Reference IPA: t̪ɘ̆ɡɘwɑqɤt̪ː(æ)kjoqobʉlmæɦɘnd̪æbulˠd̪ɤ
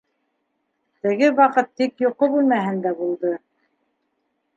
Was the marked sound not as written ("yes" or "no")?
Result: yes